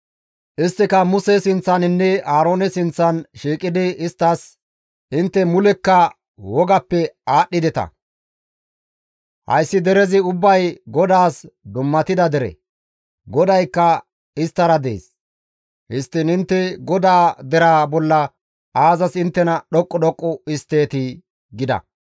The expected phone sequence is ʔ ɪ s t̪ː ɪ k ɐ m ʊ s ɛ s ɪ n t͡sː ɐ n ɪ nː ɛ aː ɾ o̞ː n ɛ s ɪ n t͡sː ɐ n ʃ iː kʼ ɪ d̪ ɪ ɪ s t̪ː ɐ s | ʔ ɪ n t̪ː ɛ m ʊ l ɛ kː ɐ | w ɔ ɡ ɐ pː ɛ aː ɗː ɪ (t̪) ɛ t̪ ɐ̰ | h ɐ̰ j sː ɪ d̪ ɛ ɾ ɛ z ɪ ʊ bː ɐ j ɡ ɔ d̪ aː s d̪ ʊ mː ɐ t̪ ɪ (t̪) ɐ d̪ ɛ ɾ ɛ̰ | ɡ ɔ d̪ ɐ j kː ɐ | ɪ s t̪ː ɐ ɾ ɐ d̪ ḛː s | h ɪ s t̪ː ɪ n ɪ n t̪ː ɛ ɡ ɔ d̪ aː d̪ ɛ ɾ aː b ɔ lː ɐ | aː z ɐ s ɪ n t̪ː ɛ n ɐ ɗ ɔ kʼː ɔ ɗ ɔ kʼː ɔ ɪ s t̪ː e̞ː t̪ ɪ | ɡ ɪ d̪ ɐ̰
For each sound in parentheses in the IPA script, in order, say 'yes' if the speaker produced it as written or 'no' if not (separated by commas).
no, no